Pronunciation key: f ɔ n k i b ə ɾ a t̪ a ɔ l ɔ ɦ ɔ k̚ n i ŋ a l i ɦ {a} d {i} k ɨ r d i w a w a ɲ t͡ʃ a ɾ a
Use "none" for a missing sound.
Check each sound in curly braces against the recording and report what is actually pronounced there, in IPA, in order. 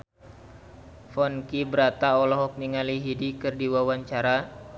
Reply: i, i

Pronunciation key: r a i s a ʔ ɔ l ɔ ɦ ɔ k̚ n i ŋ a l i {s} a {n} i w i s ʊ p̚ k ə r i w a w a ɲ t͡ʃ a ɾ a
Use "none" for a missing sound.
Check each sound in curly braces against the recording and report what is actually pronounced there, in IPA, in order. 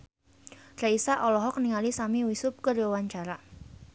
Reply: s, m

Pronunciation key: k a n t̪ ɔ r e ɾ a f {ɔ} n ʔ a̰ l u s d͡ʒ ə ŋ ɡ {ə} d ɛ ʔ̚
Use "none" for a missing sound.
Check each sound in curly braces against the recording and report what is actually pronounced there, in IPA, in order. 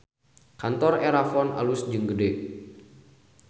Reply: ɔ, ə

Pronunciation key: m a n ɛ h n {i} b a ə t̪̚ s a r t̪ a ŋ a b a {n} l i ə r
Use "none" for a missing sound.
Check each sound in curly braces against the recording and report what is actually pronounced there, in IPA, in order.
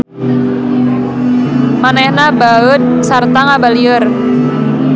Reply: a, none

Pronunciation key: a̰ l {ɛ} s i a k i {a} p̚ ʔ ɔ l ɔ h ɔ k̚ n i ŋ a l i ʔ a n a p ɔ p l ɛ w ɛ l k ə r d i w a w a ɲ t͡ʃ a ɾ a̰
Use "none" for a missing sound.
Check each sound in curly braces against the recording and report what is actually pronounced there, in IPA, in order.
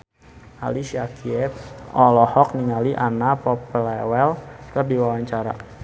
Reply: i, ɛ

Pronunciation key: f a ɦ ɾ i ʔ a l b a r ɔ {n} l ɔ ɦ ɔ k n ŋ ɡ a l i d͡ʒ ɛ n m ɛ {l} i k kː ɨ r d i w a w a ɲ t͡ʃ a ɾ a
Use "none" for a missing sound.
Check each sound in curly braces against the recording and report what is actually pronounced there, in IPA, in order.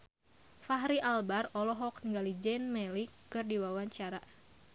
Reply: none, l

